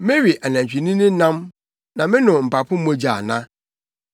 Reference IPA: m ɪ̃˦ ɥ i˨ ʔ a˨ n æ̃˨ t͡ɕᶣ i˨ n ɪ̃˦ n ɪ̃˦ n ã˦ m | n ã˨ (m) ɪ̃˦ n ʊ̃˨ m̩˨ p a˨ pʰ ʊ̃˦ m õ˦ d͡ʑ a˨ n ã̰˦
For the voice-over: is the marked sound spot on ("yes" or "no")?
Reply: yes